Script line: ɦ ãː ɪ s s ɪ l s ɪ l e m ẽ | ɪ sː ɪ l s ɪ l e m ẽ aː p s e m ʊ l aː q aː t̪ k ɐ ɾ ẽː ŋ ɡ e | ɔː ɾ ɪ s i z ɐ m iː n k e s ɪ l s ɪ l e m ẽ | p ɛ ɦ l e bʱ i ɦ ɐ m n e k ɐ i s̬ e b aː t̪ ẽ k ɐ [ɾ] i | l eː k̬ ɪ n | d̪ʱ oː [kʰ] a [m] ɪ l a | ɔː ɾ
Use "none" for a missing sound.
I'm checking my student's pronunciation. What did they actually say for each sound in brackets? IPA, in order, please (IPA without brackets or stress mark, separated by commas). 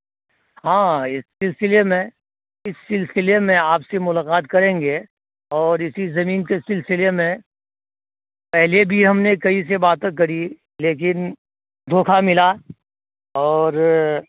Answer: ɾ, kʰ, m